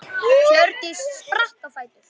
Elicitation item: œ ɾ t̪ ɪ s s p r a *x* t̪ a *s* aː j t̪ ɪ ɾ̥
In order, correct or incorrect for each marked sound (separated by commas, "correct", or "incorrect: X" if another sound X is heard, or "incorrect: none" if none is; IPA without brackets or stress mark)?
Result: incorrect: h, incorrect: f